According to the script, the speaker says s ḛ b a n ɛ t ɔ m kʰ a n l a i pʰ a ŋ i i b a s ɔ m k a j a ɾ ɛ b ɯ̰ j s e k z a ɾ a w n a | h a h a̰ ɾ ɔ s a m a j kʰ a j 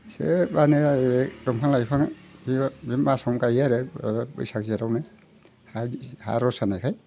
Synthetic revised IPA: s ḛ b a n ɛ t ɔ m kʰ a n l a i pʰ a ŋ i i m a s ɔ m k a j a ɾ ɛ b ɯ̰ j s a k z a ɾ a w n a | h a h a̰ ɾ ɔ s a n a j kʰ a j